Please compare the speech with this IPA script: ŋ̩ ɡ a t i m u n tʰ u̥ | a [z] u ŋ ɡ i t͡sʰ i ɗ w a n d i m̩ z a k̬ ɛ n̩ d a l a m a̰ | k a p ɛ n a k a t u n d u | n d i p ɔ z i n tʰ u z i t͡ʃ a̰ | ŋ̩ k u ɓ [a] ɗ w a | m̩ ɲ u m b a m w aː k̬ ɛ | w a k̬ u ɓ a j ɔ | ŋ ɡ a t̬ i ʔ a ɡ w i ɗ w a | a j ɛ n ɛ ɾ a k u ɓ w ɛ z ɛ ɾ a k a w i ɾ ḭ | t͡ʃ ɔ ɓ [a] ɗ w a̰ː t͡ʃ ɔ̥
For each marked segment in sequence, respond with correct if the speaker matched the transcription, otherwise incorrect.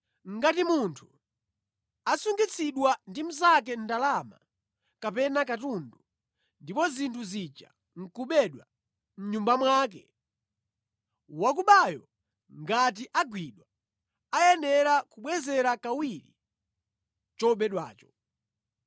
incorrect, incorrect, incorrect

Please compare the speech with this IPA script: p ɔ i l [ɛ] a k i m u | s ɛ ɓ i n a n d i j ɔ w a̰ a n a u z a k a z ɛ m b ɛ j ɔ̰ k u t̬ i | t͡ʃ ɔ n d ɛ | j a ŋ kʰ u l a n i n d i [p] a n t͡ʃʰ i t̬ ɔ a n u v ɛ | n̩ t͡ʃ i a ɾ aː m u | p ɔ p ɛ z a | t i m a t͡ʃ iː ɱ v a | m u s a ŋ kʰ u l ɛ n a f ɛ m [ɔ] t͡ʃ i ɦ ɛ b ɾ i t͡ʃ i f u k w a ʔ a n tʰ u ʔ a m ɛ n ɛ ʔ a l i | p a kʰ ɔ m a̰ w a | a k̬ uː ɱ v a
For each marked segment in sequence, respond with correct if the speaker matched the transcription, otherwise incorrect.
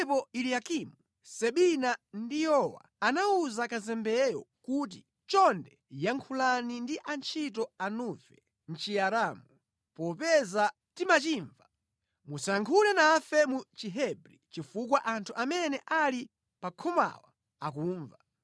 incorrect, incorrect, incorrect

